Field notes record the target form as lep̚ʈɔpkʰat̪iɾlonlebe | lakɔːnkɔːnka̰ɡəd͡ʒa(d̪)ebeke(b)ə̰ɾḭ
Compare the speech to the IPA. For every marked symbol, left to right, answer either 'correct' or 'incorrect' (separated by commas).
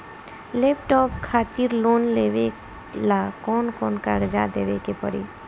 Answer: correct, incorrect